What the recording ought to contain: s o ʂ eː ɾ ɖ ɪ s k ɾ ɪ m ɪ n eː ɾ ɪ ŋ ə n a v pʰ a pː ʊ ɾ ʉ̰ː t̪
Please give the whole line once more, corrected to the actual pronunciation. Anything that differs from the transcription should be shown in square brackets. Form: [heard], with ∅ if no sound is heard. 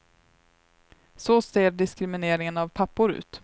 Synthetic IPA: s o [s] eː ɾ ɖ ɪ s k ɾ ɪ m ɪ n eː ɾ ɪ ŋ ə n a v pʰ a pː ʊ ɾ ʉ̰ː t̪

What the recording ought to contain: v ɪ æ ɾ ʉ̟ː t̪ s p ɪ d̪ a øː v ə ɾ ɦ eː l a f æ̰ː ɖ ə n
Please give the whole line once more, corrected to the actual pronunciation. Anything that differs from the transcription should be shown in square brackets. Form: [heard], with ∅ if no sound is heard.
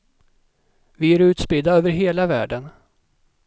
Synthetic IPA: v ɪ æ ɾ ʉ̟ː t̪ s p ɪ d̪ a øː v ə ɾ ɦ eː l a [v] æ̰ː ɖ ə n

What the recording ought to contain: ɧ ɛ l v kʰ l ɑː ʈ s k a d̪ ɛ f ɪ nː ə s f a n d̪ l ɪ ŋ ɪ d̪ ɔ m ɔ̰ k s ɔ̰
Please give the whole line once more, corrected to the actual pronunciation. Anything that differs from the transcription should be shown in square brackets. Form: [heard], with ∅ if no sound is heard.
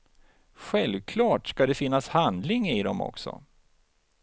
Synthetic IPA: ɧ ɛ l v kʰ l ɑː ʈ s k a d̪ ɛ f ɪ nː [a] s [h] a n d̪ l ɪ ŋ ɪ d̪ ɔ m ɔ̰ k s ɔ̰

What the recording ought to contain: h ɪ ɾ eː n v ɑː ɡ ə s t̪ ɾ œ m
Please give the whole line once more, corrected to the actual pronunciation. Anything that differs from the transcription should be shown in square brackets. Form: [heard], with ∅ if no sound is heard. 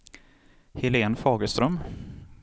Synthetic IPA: h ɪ [l] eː n [f] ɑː ɡ ə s t̪ ɾ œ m

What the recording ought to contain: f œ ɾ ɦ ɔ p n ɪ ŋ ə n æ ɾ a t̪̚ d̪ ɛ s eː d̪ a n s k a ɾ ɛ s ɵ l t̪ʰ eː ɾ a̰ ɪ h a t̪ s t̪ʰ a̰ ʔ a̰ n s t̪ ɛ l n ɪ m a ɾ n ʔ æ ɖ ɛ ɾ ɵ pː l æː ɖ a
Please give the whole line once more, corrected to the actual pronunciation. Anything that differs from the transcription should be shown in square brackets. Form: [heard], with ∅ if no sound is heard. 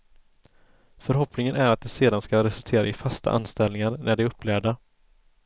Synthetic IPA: f œ ɾ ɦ ɔ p n ɪ ŋ ə n æ ɾ a t̪̚ d̪ ɛ s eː d̪ a n s k a ɾ ɛ s ɵ l t̪ʰ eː ɾ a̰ ɪ [f] a [∅] s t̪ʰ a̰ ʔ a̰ n s t̪ ɛ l n ɪ [ŋ] a ɾ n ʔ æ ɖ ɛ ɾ ɵ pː l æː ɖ a

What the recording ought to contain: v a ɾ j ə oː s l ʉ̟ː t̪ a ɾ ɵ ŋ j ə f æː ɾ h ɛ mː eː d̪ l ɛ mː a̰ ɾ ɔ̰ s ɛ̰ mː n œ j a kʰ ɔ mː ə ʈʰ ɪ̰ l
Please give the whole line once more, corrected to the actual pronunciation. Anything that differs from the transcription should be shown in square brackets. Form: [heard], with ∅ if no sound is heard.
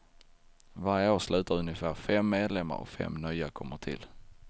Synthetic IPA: v a ɾ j ə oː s l ʉ̟ː t̪ a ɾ ɵ [n] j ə f æː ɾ [f] ɛ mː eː d̪ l ɛ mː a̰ ɾ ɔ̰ [f] ɛ̰ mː n œ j a kʰ ɔ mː ə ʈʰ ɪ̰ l

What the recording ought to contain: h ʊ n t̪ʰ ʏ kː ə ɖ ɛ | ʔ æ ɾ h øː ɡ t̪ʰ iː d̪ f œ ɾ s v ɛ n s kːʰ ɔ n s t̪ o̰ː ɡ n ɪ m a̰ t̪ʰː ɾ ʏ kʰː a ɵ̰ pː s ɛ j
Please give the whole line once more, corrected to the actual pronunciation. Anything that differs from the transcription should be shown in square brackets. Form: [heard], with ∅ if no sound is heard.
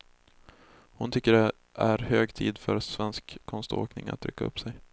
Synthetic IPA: h ʊ n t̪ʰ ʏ kː ə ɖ ɛ | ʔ æ ɾ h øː ɡ t̪ʰ iː d̪ f œ ɾ s v ɛ n s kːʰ ɔ n s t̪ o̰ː [k] n ɪ [ŋ] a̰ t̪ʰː ɾ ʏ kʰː a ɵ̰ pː s ɛ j

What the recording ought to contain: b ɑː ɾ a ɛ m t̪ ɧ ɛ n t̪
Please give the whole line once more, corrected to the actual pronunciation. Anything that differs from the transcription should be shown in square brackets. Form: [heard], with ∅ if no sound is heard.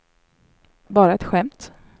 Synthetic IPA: b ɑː ɾ a ɛ [∅] t̪ ɧ ɛ [m] t̪

